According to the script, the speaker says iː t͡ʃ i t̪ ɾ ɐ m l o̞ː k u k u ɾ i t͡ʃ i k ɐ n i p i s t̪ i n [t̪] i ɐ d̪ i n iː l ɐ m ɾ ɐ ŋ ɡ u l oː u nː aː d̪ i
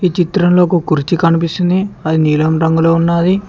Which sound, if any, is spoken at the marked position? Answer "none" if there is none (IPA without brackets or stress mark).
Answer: d̪